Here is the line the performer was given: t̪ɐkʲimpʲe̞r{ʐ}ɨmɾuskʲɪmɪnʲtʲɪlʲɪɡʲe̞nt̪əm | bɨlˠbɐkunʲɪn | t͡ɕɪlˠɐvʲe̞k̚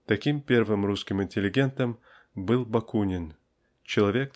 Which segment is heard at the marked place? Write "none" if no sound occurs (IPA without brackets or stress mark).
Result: v